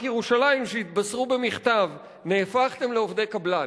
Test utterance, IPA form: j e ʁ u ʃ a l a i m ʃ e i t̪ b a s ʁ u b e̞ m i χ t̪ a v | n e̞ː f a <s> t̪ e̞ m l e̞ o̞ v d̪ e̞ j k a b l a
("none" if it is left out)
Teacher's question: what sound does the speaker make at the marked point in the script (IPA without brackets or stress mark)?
χ